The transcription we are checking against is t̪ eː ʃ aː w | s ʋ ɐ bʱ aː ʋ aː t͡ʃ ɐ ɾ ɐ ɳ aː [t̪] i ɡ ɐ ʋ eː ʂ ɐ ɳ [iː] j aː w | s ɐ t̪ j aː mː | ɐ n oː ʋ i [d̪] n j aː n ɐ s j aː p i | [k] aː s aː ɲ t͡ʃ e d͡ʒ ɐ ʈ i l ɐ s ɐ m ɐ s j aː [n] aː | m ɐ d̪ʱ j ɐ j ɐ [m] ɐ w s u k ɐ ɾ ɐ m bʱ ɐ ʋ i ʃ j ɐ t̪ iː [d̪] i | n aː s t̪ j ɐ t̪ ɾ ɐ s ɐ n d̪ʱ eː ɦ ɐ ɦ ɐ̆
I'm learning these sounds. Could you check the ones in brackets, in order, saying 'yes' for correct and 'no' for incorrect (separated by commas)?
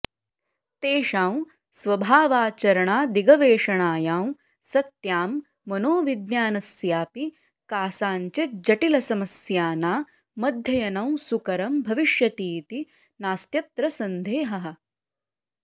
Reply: no, no, yes, yes, yes, no, no